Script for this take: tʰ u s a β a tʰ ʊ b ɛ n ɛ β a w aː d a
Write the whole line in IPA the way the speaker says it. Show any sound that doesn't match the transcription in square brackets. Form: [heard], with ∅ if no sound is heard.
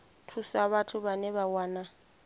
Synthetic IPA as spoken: tʰ u s a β a tʰ ʊ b [a] n ɛ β a w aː [n] a